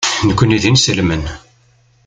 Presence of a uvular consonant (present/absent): absent